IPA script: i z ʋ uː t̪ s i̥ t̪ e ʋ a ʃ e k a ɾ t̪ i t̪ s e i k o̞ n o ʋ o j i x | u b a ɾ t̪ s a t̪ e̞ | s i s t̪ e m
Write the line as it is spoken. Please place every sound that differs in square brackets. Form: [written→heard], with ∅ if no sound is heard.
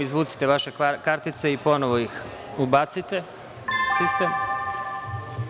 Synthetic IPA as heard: i z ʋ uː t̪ s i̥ t̪ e ʋ a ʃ e k a ɾ t̪ i t̪ s e i [k→p] o̞ n o ʋ o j i x | u b a [ɾ→∅] t̪ s [a→i] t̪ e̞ | s i s t̪ e m